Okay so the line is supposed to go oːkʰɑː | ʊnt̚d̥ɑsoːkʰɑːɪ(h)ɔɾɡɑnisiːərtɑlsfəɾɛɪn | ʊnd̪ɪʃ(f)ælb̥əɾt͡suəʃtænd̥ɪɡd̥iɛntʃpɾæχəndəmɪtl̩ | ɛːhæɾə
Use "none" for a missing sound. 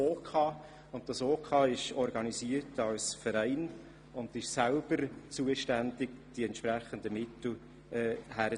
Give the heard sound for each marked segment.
ʃ, s

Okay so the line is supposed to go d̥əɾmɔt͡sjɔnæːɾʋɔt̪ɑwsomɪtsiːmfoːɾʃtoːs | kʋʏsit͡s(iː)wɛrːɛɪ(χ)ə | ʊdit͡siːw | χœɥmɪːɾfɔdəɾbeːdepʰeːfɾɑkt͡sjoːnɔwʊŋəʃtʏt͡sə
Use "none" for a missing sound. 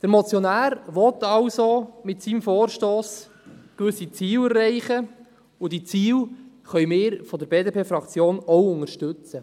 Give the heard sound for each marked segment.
iː, χ

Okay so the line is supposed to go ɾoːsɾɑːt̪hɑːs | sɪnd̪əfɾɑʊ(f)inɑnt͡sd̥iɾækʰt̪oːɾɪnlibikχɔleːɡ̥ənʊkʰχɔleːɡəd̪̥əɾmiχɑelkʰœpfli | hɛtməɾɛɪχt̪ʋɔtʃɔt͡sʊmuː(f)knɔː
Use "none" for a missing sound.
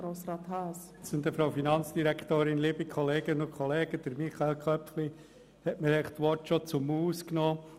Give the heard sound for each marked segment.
f, s

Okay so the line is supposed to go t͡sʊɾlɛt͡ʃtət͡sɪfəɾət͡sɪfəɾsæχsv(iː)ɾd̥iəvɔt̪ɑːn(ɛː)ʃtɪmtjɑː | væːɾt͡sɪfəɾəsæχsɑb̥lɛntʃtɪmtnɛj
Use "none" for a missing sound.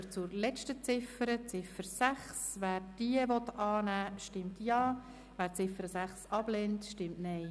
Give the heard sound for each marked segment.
æː, æː

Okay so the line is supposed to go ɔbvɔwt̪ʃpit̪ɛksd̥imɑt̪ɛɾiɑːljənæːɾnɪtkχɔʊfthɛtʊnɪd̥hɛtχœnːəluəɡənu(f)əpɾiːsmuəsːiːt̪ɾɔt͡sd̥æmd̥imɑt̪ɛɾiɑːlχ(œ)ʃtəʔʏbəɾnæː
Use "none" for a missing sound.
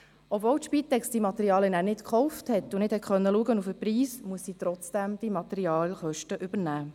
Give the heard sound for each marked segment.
f, œ

